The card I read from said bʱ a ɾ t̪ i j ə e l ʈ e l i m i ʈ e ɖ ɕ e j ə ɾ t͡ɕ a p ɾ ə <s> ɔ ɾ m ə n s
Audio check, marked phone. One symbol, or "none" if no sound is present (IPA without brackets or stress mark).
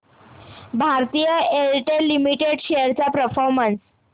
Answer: f